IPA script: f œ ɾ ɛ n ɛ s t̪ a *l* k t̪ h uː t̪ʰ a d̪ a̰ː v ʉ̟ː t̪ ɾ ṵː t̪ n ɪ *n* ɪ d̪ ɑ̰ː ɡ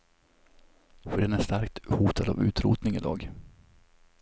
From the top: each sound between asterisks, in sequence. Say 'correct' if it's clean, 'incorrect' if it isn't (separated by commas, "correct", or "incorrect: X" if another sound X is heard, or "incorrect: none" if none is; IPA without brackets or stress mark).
incorrect: ɾ, incorrect: ŋ